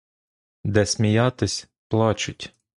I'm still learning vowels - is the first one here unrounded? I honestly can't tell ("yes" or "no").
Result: yes